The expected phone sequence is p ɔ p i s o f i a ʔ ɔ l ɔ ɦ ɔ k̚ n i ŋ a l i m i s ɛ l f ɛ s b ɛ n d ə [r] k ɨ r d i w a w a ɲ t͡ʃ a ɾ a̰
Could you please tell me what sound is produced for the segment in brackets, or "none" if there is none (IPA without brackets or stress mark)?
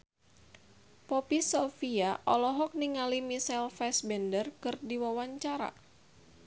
r